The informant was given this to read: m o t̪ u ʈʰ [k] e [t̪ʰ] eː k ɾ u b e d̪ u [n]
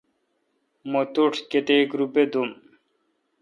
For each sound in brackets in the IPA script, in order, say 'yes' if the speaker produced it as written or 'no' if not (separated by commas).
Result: yes, no, no